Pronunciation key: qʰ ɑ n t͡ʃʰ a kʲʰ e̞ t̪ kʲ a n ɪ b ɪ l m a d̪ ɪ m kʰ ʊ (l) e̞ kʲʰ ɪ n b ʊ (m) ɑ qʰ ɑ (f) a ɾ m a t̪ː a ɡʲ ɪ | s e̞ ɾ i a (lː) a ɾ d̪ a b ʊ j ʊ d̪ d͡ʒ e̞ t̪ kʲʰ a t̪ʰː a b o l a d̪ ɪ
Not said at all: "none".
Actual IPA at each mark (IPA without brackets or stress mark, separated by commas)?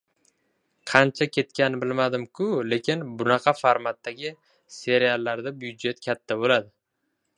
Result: l, n, f, lː